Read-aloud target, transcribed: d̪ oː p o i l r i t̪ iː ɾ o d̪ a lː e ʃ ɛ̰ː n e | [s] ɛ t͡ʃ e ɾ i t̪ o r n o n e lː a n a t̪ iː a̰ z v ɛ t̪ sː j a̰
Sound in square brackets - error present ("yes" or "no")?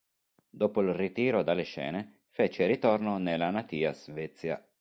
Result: yes